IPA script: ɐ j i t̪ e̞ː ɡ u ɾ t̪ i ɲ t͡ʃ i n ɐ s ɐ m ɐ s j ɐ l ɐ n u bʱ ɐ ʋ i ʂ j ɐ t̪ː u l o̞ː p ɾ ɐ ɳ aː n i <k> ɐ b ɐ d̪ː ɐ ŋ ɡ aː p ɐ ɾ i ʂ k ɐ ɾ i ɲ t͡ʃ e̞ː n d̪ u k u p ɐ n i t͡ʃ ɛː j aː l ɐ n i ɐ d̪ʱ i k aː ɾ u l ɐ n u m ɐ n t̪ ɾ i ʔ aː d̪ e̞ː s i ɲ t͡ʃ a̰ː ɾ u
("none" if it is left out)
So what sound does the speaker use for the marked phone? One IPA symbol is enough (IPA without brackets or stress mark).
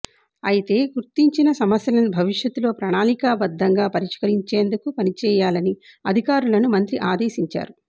k